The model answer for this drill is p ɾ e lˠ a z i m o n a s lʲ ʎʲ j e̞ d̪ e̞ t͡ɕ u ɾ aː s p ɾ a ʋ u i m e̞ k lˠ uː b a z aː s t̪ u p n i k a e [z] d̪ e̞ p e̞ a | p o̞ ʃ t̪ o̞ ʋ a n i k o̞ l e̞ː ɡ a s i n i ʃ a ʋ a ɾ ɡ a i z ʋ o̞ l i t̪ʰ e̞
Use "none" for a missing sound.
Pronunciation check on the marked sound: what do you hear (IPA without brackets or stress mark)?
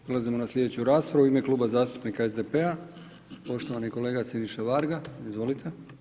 z